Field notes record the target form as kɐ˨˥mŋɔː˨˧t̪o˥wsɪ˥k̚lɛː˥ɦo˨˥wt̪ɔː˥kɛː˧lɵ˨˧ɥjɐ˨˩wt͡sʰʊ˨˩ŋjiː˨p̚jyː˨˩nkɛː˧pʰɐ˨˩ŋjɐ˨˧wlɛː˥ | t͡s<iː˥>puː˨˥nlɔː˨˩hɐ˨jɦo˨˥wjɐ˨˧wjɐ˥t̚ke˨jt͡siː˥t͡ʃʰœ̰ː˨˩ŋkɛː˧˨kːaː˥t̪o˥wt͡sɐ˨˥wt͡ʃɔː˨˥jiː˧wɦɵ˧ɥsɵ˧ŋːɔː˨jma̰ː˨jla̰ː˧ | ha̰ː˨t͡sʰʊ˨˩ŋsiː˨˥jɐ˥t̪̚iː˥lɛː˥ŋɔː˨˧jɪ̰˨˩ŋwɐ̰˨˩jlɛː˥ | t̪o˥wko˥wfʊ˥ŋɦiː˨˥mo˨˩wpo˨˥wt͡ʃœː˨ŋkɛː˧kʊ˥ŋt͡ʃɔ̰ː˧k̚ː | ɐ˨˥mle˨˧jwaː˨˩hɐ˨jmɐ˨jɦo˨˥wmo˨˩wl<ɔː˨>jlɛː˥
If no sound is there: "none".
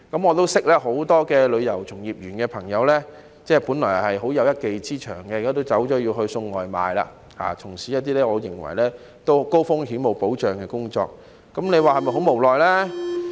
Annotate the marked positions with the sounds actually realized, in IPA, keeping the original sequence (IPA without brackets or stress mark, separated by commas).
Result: ɛː˥, ɔː˨